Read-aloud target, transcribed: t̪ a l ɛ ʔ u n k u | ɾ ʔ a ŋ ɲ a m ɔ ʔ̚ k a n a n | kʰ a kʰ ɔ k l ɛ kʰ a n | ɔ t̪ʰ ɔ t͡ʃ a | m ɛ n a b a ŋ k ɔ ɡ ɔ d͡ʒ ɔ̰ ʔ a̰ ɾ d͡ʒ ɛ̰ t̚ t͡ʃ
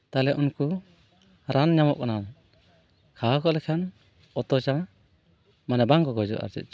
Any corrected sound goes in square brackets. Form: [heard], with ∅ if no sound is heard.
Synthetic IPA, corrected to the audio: t̪ a l ɛ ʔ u n k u | ɾ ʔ a [n] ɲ a m ɔ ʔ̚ k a n a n | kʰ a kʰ ɔ [∅] l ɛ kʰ a n | ɔ [t̪] ɔ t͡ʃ a | m [a] n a b a ŋ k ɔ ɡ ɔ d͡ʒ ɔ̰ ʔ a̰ ɾ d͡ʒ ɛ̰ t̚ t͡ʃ